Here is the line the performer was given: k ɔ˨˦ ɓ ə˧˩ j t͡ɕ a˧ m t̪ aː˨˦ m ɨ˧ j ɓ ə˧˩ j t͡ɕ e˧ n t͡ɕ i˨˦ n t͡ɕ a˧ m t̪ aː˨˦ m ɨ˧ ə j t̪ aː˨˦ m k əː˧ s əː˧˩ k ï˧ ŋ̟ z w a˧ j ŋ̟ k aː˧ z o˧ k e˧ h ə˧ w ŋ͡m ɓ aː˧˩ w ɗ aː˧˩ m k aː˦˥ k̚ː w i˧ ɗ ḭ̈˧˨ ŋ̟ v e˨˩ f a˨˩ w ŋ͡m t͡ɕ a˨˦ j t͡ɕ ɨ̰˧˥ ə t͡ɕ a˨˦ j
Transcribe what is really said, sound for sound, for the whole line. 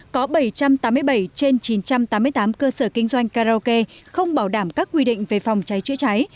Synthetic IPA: k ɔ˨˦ ɓ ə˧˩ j t͡ɕ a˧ m t̪ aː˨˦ m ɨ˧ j ɓ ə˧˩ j t͡ɕ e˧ n t͡ɕ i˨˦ n t͡ɕ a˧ m t̪ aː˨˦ m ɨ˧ ə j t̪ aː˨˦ m k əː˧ s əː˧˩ k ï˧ ŋ̟ z w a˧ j ŋ̟ k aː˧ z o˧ k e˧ x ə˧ w ŋ͡m ɓ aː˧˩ w ɗ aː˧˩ m k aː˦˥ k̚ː w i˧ ɗ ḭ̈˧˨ ŋ̟ v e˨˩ f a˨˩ w ŋ͡m t͡ɕ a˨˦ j t͡ɕ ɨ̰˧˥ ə t͡ɕ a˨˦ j